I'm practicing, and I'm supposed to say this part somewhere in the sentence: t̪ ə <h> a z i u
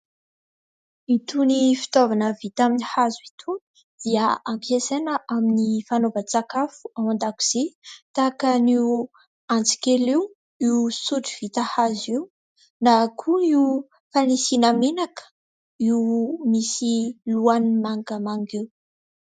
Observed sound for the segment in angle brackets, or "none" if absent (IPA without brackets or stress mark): h